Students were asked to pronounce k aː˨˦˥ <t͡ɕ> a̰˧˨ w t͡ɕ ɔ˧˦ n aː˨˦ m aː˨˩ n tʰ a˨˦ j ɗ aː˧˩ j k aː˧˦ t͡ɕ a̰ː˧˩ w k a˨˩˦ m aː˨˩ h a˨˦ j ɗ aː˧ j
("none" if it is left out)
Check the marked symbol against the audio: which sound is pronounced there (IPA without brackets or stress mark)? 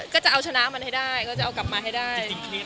t͡ɕ